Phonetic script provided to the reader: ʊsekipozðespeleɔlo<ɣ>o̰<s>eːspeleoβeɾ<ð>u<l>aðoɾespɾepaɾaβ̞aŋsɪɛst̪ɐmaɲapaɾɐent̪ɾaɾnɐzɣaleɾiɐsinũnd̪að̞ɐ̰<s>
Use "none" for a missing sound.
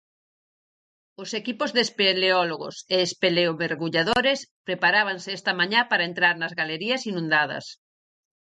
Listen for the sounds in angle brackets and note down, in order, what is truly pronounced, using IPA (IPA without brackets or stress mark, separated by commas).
ɣ, s, ɣ, ʎ, s